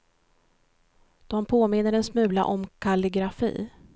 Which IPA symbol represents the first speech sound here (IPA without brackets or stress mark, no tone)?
d̪̥